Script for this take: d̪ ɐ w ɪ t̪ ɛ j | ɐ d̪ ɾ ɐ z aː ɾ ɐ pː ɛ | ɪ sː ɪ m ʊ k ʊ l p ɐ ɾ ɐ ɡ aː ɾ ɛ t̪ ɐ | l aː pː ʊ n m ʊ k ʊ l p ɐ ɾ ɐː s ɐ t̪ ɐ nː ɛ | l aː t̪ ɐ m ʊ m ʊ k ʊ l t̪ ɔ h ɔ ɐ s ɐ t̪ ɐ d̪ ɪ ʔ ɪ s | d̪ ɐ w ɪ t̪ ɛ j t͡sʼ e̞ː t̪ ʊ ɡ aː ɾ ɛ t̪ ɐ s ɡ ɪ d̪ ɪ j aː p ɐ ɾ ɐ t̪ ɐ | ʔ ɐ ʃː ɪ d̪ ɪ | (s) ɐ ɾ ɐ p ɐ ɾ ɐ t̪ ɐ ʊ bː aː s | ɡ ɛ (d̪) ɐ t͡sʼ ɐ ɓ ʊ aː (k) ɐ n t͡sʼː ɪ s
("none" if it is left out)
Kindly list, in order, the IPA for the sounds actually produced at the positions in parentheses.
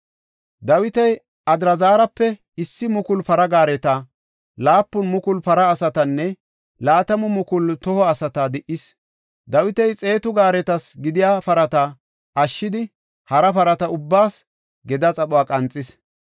h, d̪, kʼ

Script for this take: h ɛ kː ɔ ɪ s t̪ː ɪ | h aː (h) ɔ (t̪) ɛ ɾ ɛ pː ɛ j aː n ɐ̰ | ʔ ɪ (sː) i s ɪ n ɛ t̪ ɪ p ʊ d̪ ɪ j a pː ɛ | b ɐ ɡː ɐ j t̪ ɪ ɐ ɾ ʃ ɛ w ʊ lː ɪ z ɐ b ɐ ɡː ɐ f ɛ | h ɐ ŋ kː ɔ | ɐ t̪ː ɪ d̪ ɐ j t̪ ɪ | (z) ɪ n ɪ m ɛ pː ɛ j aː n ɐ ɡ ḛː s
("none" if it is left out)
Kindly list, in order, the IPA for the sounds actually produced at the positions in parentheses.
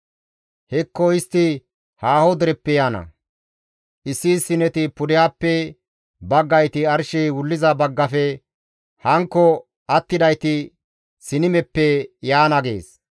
h, d̪, sː, s

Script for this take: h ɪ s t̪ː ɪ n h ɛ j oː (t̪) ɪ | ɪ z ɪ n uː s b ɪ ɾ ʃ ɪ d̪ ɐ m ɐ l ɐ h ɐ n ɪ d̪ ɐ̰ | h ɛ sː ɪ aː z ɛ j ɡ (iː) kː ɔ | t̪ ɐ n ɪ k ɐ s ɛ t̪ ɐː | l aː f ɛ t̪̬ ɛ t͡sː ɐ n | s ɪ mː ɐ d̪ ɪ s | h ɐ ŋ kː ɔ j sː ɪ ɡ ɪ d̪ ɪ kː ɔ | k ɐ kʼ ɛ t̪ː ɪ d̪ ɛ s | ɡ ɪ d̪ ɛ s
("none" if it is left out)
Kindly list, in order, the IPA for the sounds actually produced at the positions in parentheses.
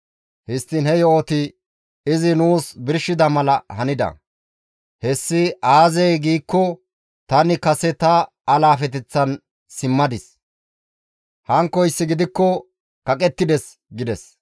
t̪, iː

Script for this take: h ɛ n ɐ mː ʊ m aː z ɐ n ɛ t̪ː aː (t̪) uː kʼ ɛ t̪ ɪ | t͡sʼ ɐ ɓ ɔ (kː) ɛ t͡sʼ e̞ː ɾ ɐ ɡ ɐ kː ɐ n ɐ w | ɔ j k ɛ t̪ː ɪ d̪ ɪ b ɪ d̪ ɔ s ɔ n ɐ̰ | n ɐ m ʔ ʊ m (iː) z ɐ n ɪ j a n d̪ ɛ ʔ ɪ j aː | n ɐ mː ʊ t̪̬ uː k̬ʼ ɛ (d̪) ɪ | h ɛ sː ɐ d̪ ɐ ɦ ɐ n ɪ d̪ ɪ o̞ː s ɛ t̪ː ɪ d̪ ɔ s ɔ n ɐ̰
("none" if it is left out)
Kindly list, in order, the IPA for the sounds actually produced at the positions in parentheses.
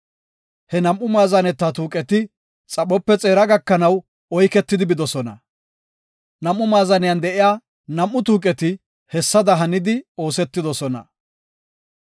t̪, pː, aː, t̪

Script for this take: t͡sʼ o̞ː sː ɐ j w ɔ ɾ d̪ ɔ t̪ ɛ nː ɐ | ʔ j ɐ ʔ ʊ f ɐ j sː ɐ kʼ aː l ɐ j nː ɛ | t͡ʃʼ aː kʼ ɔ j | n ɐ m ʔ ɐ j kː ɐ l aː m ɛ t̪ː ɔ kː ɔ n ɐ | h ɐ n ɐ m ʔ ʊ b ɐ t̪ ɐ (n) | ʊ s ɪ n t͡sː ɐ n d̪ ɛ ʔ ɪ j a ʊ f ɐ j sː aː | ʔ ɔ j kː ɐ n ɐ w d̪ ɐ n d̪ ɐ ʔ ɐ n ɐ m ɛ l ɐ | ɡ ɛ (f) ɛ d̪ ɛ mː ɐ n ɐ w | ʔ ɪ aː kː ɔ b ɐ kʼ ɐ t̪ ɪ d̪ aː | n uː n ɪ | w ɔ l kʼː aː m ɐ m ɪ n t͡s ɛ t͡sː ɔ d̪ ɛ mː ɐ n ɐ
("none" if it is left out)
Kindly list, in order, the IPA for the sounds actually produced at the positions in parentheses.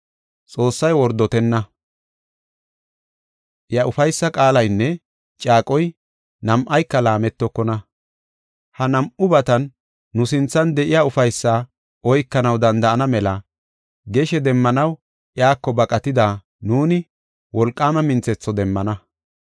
nː, ʃ

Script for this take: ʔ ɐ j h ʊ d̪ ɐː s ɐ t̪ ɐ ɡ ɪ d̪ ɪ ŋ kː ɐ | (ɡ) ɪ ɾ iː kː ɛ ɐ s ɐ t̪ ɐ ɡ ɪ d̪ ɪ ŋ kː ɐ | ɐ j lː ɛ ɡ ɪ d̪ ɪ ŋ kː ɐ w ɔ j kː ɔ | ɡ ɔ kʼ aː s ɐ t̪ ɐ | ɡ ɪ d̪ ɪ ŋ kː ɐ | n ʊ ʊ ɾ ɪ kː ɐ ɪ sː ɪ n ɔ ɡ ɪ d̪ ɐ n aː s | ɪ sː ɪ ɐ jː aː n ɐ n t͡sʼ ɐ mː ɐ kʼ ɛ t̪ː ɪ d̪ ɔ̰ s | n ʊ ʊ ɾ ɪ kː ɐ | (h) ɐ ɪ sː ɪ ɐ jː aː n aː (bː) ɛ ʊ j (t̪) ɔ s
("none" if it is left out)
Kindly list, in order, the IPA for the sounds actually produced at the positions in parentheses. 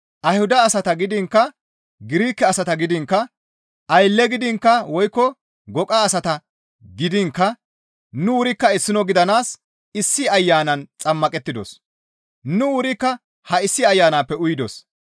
ɡ, h, pː, d̪

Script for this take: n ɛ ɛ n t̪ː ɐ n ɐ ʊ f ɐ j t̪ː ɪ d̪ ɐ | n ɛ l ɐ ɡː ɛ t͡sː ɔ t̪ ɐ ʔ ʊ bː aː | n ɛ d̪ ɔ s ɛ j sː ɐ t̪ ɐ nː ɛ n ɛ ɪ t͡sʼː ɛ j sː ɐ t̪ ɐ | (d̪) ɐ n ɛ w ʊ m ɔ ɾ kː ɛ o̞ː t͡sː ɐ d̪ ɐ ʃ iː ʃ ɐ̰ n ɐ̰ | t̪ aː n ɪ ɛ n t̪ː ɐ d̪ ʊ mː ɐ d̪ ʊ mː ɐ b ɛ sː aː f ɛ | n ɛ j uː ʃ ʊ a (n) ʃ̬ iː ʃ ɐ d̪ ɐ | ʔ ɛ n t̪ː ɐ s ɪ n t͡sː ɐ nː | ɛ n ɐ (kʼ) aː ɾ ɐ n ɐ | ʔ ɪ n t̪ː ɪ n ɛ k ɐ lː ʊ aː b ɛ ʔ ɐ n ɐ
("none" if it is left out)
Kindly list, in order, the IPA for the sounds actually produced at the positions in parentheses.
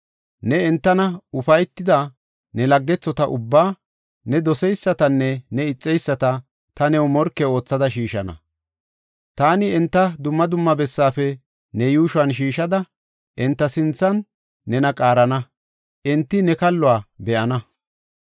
t̪, n, kʼ

